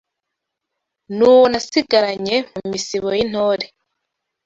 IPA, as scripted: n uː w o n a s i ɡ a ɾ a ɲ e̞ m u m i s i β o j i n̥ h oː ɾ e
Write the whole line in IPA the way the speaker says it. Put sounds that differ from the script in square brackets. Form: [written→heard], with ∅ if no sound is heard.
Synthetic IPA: n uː w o n a s i ɡ a ɾ a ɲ e̞ m u m i s i β o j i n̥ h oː ɾ e